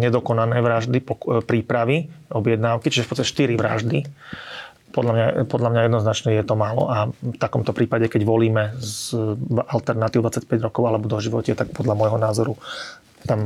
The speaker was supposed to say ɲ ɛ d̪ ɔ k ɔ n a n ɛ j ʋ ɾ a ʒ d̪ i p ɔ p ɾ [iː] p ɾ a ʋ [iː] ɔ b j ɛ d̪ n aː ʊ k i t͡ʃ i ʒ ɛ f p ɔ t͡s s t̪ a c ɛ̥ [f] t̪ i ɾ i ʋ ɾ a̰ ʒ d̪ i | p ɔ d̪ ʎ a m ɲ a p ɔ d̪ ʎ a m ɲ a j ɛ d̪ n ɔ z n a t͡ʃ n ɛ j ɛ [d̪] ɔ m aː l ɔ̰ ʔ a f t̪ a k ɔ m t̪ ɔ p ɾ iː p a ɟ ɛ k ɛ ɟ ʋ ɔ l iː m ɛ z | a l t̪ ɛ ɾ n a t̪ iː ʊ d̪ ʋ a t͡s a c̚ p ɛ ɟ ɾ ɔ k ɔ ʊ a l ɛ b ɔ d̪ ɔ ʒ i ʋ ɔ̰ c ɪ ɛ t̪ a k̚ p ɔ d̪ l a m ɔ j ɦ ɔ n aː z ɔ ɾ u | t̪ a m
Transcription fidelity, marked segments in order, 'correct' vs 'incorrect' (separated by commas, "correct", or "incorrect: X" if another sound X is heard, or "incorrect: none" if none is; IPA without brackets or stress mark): correct, incorrect: i, incorrect: ʃ, incorrect: t̪